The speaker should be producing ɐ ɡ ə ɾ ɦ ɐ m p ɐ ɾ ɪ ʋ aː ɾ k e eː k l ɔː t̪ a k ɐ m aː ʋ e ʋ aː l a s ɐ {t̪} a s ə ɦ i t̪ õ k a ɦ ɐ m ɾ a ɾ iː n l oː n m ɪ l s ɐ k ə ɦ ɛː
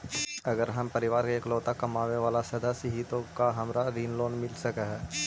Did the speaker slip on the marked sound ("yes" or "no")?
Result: yes